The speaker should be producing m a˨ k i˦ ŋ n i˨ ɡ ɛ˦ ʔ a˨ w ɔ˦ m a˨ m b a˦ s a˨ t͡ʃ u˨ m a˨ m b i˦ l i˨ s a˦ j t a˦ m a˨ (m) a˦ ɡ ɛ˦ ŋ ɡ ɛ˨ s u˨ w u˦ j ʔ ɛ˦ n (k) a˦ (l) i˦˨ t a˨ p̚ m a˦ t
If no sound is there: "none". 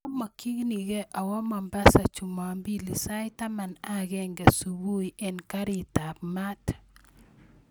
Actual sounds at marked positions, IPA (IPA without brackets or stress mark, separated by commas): n, k, ɾ